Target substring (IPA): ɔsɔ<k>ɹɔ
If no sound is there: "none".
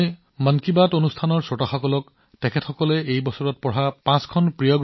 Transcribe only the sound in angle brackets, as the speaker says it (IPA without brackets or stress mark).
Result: none